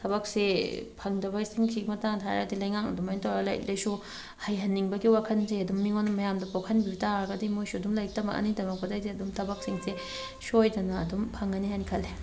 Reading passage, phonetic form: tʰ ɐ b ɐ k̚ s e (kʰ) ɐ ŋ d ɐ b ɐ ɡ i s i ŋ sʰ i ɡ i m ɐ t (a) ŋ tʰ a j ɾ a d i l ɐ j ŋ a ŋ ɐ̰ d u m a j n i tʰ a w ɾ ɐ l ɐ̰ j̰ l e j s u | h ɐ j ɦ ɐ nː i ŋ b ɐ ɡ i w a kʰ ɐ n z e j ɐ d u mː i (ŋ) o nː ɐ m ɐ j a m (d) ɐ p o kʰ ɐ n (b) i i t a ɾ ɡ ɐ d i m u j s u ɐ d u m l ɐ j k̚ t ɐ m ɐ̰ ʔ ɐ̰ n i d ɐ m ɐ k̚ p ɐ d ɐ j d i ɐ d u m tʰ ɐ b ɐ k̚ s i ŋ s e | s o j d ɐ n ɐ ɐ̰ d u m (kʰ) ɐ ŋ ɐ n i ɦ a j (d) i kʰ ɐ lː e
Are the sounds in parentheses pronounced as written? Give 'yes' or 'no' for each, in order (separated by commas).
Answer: no, yes, yes, yes, yes, no, no